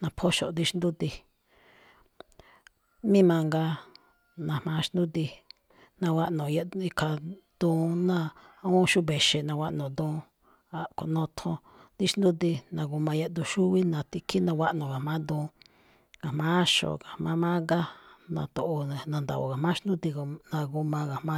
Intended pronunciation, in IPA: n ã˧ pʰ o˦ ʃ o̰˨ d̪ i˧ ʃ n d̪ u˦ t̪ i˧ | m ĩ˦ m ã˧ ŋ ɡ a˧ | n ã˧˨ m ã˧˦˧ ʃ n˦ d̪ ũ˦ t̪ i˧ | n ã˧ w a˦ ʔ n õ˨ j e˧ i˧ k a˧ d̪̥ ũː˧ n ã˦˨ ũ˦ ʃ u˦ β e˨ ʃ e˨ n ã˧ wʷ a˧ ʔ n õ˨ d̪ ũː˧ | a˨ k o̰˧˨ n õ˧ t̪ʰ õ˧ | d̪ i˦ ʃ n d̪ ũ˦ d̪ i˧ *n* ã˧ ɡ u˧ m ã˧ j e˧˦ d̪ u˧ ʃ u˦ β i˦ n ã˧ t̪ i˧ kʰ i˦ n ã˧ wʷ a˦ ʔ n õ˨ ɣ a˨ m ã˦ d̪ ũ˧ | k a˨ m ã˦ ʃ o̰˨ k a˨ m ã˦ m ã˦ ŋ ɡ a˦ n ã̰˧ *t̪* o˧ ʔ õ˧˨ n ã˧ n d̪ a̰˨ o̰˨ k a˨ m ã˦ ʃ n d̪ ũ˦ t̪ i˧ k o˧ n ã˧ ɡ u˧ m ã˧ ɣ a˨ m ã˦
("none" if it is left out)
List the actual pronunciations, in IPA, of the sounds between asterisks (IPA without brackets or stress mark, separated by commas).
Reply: n, t̪